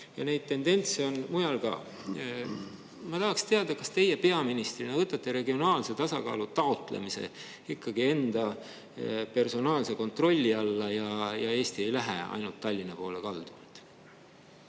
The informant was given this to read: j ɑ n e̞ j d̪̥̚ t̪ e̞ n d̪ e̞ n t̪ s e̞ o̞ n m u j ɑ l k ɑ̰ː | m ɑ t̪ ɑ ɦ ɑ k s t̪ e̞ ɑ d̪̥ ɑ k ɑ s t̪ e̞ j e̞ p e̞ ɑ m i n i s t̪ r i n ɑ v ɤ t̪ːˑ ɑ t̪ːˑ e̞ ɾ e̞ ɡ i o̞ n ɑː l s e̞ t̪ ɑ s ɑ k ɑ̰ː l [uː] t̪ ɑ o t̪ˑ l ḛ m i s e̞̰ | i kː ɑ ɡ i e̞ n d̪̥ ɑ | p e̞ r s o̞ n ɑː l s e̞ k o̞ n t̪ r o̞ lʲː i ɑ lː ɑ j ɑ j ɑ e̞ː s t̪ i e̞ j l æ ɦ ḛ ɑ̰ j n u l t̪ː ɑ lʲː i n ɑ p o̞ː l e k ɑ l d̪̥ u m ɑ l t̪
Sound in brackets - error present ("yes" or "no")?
yes